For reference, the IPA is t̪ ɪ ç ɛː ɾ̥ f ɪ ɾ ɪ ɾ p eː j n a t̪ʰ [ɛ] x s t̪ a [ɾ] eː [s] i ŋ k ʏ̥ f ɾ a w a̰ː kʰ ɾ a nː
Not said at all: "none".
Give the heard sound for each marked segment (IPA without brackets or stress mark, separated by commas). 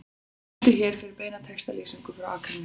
ɛ, l, s